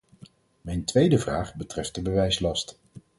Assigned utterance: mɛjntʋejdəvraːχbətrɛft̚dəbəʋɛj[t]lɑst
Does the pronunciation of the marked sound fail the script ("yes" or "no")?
yes